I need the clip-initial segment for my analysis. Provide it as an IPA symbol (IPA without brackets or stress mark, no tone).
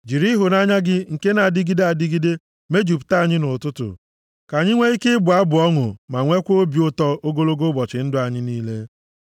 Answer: d͡ʒ